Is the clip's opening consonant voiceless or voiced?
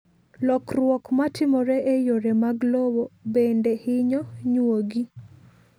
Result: voiced